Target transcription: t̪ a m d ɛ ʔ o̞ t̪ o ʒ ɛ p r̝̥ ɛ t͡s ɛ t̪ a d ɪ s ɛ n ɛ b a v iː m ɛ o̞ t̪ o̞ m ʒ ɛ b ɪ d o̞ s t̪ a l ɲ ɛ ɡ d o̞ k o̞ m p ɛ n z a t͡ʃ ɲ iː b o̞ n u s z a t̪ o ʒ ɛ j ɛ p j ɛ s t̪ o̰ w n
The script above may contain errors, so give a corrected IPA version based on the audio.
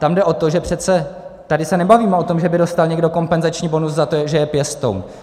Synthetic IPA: t̪ a m d ɛ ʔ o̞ t̪ o ʒ ɛ p r̝̥ ɛ t͡s ɛ t̪ a d ɪ s ɛ n ɛ b a v iː m ɛ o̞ t̪ o̞ m ʒ ɛ b ɪ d o̞ s t̪ a l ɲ ɛ ɡ d o̞ k o̞ m p ɛ n z a t͡ʃ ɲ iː b o̞ n u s z a t̪ o ʒ ɛ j ɛ p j ɛ s t̪ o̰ w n